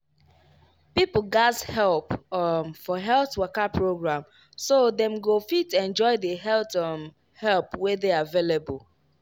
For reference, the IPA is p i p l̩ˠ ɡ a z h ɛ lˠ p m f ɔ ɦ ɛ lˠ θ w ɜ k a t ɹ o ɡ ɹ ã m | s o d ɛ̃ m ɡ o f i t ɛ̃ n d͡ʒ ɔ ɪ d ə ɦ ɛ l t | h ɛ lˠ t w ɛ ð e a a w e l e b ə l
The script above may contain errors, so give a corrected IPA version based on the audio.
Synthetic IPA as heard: p i p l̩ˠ ɡ a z h ɛ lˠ p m f ɔ ɦ ɛ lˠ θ w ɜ k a p ɹ o ɡ ɹ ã m | s o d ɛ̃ m ɡ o f i t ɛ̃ n d͡ʒ ɔ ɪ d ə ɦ ɛ l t | h ɛ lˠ p w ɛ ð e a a v e l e b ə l

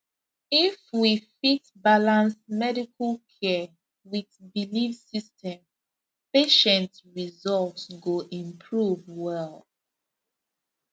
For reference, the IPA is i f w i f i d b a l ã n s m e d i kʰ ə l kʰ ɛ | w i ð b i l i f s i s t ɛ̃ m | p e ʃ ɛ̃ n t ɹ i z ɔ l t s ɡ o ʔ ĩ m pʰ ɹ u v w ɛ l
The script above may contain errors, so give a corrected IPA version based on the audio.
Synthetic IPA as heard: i f w i f i t b a l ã n s m ɛ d i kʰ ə l kʰ ɛ | w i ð b i l i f s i s t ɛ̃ m | p e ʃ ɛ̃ n t ɹ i z ɔ l t s ɡ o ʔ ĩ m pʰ ɹ u v w ɛ l

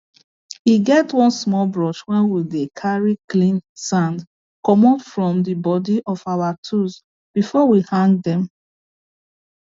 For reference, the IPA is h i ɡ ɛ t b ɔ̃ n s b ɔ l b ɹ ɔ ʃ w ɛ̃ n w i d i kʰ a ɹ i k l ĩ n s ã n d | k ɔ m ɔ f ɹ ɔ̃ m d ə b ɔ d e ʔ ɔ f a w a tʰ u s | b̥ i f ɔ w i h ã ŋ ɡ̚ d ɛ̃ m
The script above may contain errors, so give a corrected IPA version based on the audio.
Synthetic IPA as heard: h i ɡ ɛ t w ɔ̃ n s m ɔ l b ɹ ɔ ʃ w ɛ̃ n w i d e kʰ a ɹ i k l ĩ n s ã n d | k ɔ m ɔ f ɹ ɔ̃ m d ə b ɔ d i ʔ ɔ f a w a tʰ u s | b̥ i f ɔ w i h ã ŋ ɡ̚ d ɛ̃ m

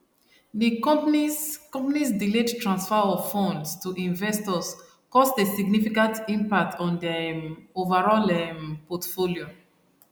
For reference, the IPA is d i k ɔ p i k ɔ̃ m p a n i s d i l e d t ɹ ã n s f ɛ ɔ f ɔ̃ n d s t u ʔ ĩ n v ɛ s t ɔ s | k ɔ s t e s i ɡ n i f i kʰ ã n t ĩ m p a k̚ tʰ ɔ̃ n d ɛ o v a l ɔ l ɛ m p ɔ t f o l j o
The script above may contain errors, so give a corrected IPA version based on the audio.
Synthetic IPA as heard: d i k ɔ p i k ɔ̃ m p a n i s d i l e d t ɹ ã n s f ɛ ɔ f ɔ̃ n d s t u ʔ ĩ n v ɛ s t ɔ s | k ɔ s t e s i ɡ n i f i k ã n t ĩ m p a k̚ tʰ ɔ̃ n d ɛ o v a ɹ ɔ l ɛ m p ɔ t f o l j o

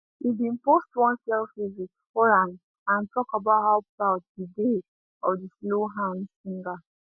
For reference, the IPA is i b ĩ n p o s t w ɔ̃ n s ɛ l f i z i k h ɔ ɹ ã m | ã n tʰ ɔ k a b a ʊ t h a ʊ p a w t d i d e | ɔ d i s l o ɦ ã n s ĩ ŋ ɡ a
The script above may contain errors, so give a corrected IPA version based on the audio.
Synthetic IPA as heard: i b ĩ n p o s t w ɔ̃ n s ɛ l f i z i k f ɔ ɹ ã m | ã n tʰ ɔ k a b a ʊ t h a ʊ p a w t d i d e | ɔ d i s l o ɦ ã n s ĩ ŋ ɡ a

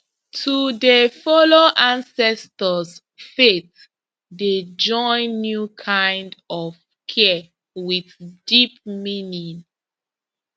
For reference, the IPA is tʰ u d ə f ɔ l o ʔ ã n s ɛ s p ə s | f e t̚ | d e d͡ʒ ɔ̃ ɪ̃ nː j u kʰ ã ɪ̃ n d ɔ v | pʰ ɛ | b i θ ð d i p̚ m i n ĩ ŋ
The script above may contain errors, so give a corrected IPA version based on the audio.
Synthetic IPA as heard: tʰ u d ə f ɔ l o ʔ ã n s ɛ s t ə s | f e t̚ | d e d͡ʒ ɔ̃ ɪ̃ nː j u kʰ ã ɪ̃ n d ɔ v | kʰ ɛ | w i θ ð d i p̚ m i n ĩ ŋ

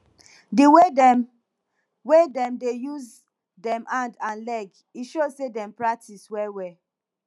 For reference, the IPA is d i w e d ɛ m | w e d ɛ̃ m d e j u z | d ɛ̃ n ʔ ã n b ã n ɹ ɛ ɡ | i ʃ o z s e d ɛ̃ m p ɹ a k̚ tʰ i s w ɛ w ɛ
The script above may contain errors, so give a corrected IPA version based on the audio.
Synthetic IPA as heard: d i w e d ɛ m | w e d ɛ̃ m d e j u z | d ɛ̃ m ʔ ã n d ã n l ɛ ɡ | i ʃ o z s e d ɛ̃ m p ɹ a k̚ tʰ i s w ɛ w ɛ

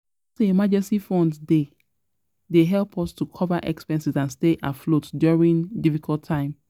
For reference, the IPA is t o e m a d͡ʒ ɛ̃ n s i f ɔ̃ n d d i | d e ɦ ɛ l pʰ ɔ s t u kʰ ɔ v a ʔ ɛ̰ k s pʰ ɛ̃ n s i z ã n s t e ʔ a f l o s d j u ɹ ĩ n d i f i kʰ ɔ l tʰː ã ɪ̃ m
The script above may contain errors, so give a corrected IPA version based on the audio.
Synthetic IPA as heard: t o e m a d͡ʒ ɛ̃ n s i f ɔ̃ n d d e | d e ɦ ɛ l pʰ ɔ s t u kʰ ɔ v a ʔ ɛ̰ k s p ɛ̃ n s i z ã n s t e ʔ a f l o t d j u ɹ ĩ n d i f i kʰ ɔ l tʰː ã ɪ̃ m

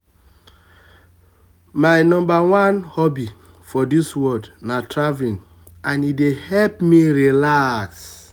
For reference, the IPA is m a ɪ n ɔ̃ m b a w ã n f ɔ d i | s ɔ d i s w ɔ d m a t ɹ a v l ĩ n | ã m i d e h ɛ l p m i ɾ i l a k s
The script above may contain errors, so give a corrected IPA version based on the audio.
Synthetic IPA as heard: m a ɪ n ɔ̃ m b a w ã n h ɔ b i | f ɔ d i s w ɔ d n a t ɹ a v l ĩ n | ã n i d e h ɛ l p m i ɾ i l a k s

